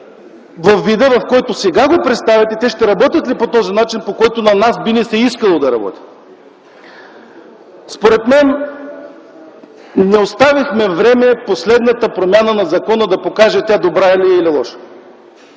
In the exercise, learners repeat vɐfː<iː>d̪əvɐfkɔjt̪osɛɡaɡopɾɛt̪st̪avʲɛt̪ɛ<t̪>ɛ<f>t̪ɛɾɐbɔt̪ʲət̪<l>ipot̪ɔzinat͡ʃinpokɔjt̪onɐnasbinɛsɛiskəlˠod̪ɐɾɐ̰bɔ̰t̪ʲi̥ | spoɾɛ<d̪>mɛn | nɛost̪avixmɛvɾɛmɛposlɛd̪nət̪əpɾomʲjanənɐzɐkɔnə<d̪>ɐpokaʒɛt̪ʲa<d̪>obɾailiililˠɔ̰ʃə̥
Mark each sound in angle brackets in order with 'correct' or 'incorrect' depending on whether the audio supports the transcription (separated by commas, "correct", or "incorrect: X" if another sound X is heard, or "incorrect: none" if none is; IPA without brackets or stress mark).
incorrect: i, correct, incorrect: ʃ, correct, incorrect: t̪, correct, correct